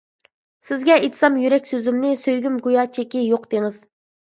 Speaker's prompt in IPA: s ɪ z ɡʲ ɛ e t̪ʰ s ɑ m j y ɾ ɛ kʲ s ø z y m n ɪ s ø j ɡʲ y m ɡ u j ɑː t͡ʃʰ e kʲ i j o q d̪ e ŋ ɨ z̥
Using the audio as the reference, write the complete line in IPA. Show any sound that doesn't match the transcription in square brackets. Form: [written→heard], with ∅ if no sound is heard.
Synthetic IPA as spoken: s ɪ z ɡʲ ɛ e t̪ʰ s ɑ m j y ɾ ɛ kʲ s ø z y m n ɪ s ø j ɡʲ y m ɡ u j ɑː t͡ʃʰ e kʲ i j o q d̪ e ŋ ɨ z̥